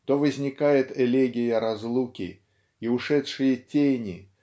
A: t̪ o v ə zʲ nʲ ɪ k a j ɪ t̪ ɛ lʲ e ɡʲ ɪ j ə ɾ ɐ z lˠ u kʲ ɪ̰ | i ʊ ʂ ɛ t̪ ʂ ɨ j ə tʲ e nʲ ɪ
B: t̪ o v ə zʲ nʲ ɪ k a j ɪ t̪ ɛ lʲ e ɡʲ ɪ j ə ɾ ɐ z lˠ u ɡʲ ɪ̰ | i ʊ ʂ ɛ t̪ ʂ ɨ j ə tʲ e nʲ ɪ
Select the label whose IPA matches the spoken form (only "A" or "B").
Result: A